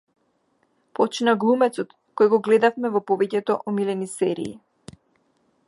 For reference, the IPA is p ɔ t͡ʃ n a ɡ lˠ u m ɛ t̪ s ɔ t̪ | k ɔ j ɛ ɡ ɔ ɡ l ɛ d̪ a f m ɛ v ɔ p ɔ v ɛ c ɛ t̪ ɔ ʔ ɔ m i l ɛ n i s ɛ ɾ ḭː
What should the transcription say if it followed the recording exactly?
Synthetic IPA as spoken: p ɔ t͡ʃ n a ɡ lˠ u m ɛ t̪ s ɔ t̪ | k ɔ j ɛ ɡ ɔ ɡ l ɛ d̪ a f m ɛ v ɔ p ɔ v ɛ c ɛ t̪ ɔ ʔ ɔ m i l ɛ n i s ɛ ɾ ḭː